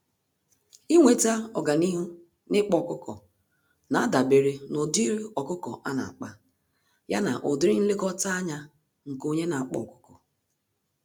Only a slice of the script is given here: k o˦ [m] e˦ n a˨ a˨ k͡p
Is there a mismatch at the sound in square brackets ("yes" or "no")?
yes